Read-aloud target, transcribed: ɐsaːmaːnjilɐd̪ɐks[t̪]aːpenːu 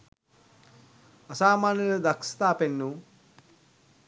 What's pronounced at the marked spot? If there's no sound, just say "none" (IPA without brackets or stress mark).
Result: t̪